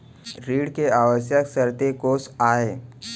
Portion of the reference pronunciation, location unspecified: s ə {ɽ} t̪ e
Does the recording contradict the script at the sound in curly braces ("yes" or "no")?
yes